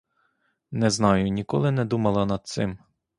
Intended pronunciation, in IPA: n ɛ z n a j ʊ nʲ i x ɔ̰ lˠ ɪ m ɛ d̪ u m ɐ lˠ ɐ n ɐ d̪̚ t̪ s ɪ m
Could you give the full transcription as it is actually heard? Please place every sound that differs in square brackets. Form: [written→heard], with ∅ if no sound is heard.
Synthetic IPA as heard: n ɛ z n [a→ɑ] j ʊ nʲ i [x→k] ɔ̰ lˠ ɪ [m→n] ɛ d̪ u m ɐ lˠ ɐ n ɐ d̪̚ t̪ s ɪ m